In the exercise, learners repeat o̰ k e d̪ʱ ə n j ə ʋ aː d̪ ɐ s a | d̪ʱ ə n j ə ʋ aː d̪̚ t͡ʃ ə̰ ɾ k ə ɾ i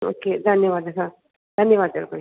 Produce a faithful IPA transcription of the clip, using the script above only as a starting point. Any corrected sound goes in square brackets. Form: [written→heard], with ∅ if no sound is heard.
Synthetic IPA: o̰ k e d̪ʱ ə n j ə ʋ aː d̪ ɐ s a | d̪ʱ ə n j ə ʋ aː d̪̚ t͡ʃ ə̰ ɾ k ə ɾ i